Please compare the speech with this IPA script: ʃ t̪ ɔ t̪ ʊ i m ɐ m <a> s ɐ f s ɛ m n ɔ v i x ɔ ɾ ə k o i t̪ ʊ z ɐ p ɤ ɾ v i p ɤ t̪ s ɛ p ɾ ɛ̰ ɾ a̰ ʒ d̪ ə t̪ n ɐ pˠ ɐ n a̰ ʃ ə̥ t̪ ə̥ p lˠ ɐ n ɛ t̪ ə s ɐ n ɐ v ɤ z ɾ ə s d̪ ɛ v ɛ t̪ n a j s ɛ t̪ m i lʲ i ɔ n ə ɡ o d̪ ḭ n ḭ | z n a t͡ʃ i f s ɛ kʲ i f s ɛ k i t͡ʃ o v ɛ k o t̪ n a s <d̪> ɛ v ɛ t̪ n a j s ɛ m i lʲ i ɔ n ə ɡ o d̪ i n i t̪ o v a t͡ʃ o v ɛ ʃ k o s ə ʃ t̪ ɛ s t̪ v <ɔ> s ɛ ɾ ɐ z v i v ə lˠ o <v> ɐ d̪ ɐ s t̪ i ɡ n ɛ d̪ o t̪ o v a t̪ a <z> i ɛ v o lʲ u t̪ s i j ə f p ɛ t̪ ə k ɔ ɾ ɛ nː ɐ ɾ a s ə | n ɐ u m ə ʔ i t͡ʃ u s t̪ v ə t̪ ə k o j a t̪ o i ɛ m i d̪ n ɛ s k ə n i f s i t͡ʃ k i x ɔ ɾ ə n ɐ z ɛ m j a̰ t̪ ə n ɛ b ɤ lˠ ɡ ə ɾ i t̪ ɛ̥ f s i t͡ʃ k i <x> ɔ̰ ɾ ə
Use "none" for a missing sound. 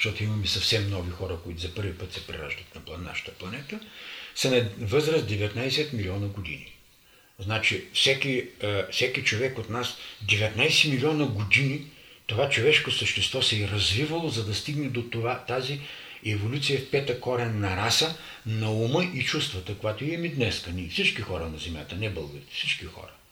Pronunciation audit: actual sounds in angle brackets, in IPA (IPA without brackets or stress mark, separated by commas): ɛ, d̪, ɔ, z, z, x